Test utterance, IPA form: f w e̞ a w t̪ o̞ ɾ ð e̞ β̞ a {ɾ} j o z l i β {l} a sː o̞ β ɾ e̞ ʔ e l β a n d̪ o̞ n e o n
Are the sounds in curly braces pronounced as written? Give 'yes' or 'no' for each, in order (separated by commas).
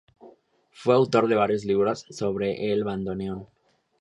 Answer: yes, no